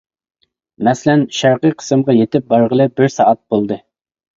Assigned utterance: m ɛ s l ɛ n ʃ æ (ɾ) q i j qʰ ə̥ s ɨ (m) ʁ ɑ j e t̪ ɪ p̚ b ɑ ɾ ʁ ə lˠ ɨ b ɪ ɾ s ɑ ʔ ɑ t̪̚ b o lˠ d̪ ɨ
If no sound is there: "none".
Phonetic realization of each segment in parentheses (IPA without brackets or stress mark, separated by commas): ɾ, m